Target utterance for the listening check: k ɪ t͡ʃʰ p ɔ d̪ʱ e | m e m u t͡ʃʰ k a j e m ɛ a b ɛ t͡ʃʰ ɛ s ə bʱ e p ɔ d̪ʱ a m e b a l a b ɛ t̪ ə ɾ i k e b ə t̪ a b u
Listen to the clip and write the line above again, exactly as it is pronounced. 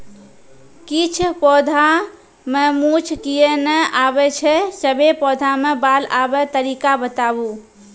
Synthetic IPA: k i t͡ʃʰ p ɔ d̪ʱ a | m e m u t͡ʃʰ k i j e n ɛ a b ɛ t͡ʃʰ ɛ s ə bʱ e p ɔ d̪ʱ a m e b a l a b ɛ t̪ ə ɾ i k a b ə t̪ a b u

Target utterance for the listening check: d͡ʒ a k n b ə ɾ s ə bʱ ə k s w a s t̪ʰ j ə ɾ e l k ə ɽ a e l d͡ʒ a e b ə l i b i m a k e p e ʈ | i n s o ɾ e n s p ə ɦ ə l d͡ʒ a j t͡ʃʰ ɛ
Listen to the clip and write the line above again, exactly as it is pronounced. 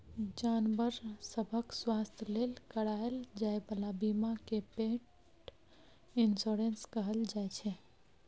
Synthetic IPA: d͡ʒ a n b ə ɾ s ə bʱ ə k s w a s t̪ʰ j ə l e l k ə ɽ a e l d͡ʒ a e b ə l a b i m a k e p e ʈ | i n s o ɾ e n s k ə ɦ ə l d͡ʒ a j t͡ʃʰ ɛ

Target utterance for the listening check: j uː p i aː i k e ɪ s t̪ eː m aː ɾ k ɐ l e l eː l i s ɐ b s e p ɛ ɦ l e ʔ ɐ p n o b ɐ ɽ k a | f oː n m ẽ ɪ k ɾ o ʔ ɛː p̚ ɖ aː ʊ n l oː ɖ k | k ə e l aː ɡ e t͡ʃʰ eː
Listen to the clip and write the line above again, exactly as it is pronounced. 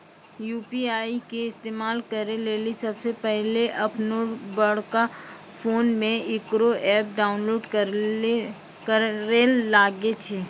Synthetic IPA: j uː p i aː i k e ɪ s t̪ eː m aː l k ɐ ɾ e l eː l i s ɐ b s e p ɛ ɦ l e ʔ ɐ p n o b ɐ ɽ k a | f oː n m ẽ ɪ k ɾ o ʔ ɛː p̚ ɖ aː ʊ n l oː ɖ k | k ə e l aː ɡ e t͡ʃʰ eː

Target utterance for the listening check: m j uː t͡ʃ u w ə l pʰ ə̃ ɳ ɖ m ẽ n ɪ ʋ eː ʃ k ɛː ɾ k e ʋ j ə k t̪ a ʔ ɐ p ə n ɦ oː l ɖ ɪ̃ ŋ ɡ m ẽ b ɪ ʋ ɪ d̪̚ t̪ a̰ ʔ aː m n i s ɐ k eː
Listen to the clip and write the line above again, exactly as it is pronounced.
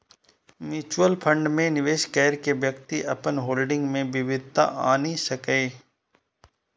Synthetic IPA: m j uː t͡ʃ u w ə l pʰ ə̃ ɳ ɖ m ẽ n ɪ ʋ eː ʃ k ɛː ɾ k e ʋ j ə k t̪ i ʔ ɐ p ə n ɦ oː l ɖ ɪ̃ ŋ ɡ m ẽ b ɪ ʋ ɪ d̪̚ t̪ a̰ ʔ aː n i s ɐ k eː

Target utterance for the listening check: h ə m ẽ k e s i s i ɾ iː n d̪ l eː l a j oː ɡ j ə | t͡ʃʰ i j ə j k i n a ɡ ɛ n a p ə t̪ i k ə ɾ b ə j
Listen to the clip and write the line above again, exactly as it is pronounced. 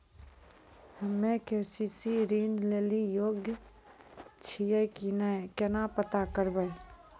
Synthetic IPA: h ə m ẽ k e s i s i ɾ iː n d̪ l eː l i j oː ɡ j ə | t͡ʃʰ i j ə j k i n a k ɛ n a p ə t̪ a k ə ɾ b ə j

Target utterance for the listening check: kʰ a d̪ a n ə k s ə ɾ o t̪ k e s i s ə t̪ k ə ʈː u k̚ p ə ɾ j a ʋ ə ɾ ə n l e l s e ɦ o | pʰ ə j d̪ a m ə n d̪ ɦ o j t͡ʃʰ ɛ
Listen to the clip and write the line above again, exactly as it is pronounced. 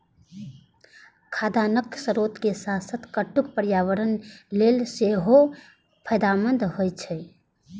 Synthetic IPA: kʰ a d̪ a n ə k s ə ɾ o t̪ k e s a s ə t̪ k ə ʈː u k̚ p ə ɾ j a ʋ ə ɾ ə n l e l s e ɦ o | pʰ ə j d̪ a m ə n d̪ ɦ o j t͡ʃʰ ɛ

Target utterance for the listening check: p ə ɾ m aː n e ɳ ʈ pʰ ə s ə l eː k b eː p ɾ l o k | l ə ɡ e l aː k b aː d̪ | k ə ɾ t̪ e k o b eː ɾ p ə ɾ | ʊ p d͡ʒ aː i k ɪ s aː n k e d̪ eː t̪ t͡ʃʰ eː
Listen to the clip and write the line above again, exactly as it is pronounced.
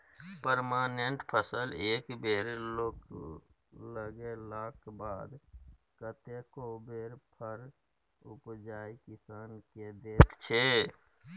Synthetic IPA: p ə ɾ m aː n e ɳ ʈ pʰ ə s ə l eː k b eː ɾ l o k | l ə ɡ e l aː k b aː d̪ | k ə t̪ e k o b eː ɾ pʰ ə ɾ | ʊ p d͡ʒ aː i k ɪ s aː n k e d̪ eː t̪ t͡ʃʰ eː

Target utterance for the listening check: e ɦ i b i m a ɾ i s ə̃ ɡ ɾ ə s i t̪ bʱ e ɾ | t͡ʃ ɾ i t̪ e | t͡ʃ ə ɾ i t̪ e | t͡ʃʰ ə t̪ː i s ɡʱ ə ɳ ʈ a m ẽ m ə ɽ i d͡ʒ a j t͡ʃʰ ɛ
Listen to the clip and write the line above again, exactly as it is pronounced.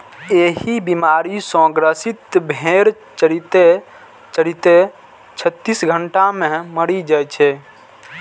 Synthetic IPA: e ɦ i b i m a ɾ i s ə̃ ɡ ɾ ə s i t̪ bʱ e ɾ | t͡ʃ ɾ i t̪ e | t͡ʃ ə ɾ i t̪ e | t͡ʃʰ ə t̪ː i s ɡʱ ə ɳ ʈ a m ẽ m ə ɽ i d͡ʒ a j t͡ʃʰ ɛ

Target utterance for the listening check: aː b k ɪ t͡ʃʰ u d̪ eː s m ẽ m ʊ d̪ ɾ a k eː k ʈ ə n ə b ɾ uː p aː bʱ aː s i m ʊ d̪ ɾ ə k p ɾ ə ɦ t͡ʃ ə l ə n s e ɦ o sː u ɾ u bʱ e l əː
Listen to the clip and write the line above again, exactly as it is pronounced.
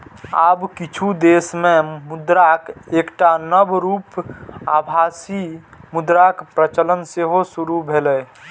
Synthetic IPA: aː b k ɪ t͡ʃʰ u d̪ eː s m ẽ m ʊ d̪ ɾ a k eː k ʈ a n ə b ɾ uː p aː bʱ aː s i m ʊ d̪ ɾ a k p ɾ ə t͡ʃ ə l ə n s e ɦ o s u ɾ u bʱ e l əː

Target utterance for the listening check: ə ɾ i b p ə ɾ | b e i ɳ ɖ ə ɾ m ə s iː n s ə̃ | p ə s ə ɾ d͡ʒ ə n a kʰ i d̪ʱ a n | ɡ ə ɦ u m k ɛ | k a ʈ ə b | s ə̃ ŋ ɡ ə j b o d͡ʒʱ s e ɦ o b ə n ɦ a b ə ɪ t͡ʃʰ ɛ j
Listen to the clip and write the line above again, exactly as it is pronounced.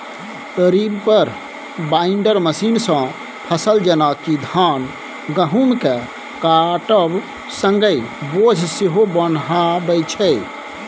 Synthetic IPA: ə ɾ i b p ə ɾ | b a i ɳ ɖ ə ɾ m ə s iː n s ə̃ | pʰ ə s ə l d͡ʒ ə n a k i d̪ʱ a n | ɡ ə ɦ u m k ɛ | k a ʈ ə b | s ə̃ ŋ ɡ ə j b o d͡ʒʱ s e ɦ o b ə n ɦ a b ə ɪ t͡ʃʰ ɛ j

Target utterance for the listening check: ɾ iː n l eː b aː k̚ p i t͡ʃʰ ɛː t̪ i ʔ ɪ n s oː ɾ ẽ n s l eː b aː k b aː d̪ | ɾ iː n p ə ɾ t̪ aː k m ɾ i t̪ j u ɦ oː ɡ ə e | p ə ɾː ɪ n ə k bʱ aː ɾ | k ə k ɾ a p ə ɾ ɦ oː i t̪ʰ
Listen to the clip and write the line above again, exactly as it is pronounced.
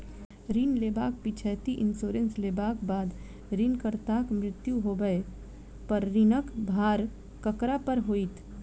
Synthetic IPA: ɾ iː n l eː b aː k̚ p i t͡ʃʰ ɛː t̪ i ʔ ɪ n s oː ɾ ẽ n s l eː b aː k b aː d̪ | ɾ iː n k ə ɾ t̪ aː k m ɾ ɪ t̪ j u ɦ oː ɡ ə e | p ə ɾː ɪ n ə k bʱ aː ɾ | k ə k ɾ a p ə ɾ ɦ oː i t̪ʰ

